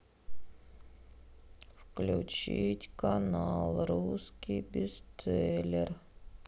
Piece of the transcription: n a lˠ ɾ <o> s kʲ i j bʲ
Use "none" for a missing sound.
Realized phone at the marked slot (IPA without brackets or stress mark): u